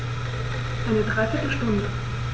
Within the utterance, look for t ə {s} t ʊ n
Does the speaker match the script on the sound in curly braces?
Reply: no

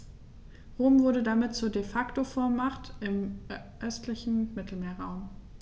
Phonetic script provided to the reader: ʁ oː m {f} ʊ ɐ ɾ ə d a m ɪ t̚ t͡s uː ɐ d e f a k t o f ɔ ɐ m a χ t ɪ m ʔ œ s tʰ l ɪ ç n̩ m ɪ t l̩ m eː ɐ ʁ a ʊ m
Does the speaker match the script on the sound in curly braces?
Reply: no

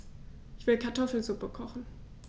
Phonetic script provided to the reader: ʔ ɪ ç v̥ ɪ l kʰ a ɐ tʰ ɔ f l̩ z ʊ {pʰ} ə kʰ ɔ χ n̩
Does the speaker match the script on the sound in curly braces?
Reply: no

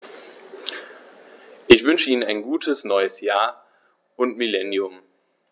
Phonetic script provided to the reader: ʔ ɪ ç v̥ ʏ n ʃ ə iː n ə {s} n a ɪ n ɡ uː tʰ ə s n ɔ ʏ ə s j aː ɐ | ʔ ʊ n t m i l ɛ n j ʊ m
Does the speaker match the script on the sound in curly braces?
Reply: no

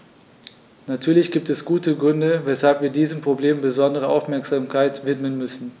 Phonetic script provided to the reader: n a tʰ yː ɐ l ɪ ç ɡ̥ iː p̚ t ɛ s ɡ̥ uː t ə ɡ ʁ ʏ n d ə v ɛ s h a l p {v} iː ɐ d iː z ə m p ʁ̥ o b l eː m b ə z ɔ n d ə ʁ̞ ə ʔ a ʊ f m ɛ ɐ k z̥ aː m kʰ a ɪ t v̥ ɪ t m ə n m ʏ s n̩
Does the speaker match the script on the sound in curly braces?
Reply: yes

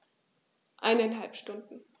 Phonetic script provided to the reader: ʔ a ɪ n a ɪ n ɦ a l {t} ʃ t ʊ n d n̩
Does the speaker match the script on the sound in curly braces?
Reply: no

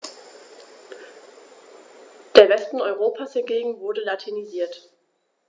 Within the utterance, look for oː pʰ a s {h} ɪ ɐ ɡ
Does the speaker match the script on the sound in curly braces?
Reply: yes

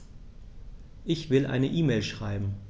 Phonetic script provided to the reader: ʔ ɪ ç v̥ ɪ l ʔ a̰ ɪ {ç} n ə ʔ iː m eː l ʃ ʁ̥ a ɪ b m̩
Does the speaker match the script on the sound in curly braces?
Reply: no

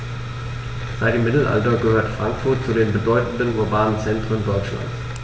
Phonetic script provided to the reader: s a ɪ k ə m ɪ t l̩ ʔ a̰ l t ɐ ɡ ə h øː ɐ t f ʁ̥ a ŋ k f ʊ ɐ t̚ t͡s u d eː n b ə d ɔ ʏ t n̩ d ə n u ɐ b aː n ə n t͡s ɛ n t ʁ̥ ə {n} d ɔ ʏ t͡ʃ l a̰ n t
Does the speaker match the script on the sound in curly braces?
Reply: yes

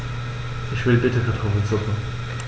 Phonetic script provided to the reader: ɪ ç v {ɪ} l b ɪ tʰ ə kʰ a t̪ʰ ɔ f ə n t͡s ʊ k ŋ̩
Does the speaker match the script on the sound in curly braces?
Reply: yes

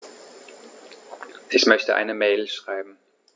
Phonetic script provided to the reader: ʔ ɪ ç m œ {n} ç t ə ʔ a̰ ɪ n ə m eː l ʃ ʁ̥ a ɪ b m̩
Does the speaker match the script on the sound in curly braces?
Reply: no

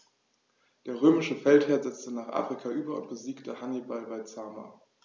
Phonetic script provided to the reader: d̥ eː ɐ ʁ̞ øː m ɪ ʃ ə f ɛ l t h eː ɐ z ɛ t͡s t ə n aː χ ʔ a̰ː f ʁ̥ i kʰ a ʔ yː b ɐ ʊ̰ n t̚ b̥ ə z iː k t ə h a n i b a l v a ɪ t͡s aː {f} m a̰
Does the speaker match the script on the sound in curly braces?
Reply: no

